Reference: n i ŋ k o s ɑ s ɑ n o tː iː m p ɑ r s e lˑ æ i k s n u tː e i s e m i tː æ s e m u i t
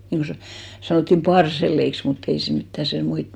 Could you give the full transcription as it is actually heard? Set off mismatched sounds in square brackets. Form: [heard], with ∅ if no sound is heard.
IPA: n i ŋ k o s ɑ s ɑ n o tː [i] m p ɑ r s e lˑ [e] i k s [m] u tː e i s e m i tː æ s e m u i t